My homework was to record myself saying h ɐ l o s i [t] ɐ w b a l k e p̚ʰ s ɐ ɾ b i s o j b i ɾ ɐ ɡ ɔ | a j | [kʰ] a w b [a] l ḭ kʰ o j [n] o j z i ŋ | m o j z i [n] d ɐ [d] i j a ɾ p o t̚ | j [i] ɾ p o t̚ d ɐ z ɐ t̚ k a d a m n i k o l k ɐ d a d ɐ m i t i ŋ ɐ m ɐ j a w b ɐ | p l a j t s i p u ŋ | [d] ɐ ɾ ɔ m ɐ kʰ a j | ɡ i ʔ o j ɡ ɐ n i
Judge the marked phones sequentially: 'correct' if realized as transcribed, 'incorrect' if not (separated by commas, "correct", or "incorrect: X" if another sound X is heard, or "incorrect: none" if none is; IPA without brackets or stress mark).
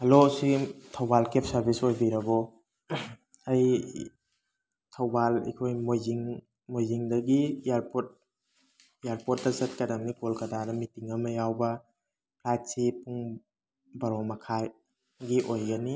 incorrect: tʰ, incorrect: tʰ, correct, incorrect: m, incorrect: ŋ, incorrect: ɡ, incorrect: a, incorrect: b